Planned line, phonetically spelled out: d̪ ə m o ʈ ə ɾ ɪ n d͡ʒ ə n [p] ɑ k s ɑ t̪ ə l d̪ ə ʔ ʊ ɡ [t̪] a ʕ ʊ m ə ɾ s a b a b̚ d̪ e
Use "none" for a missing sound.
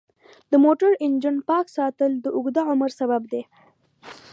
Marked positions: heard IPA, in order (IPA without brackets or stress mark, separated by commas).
p, d̪